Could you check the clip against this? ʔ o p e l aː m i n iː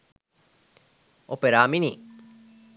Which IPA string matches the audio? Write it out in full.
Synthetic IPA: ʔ o p e ɾ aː m i n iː